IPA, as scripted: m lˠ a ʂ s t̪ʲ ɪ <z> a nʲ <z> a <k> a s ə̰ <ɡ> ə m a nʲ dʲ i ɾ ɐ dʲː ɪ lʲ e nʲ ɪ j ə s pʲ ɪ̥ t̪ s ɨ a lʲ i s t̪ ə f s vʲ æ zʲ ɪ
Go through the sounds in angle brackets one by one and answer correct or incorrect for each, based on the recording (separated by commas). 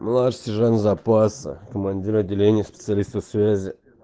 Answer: incorrect, correct, incorrect, incorrect